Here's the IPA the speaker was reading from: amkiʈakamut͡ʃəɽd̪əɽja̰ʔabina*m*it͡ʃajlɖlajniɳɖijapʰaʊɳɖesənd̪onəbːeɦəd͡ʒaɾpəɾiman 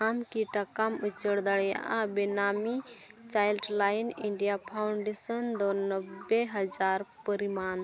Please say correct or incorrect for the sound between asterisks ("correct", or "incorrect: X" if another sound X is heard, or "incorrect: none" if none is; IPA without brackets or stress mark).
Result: correct